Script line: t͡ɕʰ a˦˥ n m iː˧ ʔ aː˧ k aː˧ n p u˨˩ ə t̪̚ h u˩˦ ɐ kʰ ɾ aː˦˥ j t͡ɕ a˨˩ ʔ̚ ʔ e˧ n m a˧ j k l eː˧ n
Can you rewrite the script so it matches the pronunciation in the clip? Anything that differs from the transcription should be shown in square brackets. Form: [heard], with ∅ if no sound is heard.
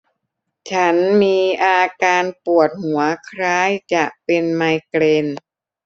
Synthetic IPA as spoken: t͡ɕʰ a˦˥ n m iː˧ ʔ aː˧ k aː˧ n p u˨˩ ə t̪̚ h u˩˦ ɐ kʰ ɾ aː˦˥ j t͡ɕ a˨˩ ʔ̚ [p] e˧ n m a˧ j k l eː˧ n